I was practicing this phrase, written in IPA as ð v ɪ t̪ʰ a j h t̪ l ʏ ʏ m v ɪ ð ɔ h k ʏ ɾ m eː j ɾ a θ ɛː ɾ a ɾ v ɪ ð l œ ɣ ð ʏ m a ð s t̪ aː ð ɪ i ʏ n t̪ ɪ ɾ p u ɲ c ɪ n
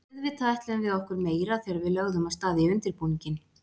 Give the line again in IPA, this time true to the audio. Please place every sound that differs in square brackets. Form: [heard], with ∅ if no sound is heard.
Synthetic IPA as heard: ð v ɪ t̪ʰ a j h t̪ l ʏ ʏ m v ɪ ð ɔ h k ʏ ɾ m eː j ɾ a θ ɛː ɾ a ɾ v ɪ ð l œ ɣ ð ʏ m a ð s t̪ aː ð ɪ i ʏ n t̪ ɪ ɾ p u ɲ c ɪ n